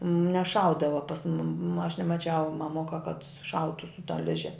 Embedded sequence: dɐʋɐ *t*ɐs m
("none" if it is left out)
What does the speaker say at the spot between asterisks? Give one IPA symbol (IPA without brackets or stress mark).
p